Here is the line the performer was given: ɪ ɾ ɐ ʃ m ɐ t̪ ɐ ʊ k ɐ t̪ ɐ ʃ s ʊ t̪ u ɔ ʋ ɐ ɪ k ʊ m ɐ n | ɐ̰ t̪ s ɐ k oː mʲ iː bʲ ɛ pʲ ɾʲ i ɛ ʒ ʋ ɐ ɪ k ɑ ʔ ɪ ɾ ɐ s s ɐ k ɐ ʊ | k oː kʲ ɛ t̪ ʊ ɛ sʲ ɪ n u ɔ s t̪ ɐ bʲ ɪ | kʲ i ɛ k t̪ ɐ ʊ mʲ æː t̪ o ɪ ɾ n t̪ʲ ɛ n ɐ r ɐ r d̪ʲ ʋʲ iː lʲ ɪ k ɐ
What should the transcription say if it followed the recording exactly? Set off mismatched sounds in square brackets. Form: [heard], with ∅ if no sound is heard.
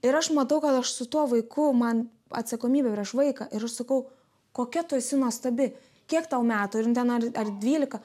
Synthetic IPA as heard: ɪ ɾ ɐ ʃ m ɐ t̪ ɐ ʊ k ɐ t̪ ɐ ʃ s ʊ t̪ u ɔ ʋ ɐ ɪ k ʊ m ɐ n | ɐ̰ t̪ s ɐ k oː mʲ iː bʲ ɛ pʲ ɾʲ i ɛ [ʃ] ʋ ɐ ɪ k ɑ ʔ ɪ ɾ ɐ [ʃ] s ɐ k ɐ ʊ | k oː kʲ ɛ t̪ ʊ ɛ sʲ ɪ n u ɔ s t̪ ɐ bʲ ɪ | kʲ i ɛ k t̪ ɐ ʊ mʲ æː t̪ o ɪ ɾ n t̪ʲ ɛ n ɐ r ɐ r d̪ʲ ʋʲ iː lʲ ɪ k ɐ